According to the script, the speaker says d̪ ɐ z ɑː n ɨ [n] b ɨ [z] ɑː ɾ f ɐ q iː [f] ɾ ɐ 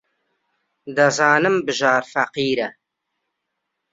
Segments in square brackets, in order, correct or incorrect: incorrect, incorrect, incorrect

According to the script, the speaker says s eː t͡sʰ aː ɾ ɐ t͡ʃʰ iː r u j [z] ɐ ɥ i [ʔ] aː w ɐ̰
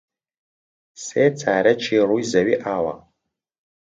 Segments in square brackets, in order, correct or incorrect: correct, correct

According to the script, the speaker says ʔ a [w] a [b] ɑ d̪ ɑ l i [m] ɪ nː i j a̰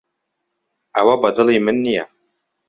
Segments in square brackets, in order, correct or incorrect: correct, correct, correct

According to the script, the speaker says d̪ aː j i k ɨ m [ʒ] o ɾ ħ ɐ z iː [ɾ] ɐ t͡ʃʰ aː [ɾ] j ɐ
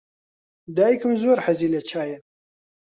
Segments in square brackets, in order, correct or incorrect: incorrect, incorrect, incorrect

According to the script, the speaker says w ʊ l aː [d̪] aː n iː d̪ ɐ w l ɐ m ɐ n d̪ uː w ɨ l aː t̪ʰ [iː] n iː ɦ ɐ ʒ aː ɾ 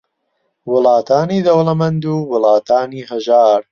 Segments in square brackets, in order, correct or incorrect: incorrect, incorrect

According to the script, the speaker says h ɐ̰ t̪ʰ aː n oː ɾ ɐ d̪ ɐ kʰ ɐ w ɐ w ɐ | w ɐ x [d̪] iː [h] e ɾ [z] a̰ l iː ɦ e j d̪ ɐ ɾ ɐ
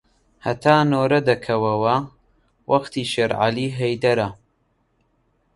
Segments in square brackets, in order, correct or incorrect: incorrect, incorrect, incorrect

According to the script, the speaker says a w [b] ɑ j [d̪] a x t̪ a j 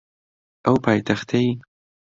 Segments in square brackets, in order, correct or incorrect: incorrect, incorrect

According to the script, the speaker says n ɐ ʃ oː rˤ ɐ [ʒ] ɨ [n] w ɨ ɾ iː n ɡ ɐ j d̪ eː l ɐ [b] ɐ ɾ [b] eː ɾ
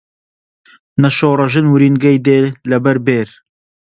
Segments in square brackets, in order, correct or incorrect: correct, correct, correct, correct

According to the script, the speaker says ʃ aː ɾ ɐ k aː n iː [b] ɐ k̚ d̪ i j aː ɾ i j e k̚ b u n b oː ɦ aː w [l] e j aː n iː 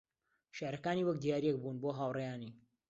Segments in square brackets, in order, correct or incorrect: incorrect, incorrect

